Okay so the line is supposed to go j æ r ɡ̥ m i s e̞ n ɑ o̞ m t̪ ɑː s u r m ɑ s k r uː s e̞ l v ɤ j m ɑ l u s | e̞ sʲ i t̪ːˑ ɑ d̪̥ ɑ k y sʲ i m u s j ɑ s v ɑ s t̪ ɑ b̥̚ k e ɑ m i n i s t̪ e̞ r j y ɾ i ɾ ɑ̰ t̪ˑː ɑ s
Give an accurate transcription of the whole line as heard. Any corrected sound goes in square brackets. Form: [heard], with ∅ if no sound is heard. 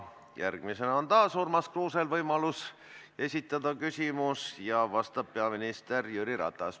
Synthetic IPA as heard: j æ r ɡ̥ m i s e̞ n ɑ o̞ [n] t̪ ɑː s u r m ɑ s k r uː s e̞ l v ɤ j m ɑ l u s | e̞ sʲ i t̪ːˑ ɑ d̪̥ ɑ k y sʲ i m u s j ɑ [∅] v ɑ s t̪ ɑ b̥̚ [p] e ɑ m i n i s t̪ e̞ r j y ɾ i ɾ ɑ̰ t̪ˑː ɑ s